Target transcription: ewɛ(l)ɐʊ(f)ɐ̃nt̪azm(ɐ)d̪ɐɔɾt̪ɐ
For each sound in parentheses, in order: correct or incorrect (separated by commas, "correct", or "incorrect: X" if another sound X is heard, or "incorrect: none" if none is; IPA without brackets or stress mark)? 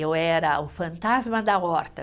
incorrect: ɾ, correct, correct